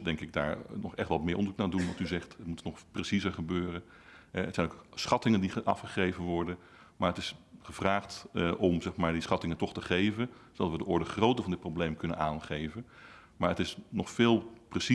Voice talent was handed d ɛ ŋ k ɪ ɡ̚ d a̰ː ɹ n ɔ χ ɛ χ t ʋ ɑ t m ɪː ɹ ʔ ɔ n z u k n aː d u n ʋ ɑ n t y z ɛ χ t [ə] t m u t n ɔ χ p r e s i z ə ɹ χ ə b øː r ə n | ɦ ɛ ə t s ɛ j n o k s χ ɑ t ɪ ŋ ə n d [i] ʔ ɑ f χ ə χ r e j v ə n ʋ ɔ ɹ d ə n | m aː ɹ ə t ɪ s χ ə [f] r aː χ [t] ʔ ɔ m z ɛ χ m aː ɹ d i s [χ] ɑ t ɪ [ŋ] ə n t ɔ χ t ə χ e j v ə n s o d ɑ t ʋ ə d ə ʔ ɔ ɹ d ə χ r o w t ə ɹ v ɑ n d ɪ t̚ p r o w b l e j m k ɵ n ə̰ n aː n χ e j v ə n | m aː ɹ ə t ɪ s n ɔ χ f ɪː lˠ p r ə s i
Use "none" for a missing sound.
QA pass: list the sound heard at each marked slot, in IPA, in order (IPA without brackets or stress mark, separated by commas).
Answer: ə, i, v, t, χ, ŋ